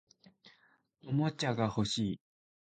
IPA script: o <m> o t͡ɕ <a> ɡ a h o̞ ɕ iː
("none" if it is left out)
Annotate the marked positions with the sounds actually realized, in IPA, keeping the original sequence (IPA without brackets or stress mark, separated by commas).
m, a